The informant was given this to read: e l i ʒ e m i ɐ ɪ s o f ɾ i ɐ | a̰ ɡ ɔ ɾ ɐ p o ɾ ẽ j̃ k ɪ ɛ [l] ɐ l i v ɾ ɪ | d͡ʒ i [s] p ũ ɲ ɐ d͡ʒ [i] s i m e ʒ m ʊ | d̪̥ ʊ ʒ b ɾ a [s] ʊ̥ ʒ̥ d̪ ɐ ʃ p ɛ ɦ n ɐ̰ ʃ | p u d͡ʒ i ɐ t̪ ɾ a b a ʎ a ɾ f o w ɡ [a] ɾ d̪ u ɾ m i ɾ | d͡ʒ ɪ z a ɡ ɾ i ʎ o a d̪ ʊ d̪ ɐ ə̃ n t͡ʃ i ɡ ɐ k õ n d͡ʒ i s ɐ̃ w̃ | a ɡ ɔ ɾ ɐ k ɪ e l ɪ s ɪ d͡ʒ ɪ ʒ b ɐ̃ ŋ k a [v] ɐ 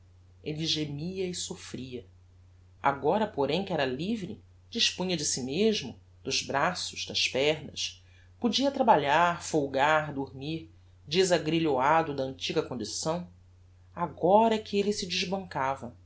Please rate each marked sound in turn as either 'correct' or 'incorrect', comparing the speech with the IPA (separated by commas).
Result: incorrect, incorrect, incorrect, correct, correct, correct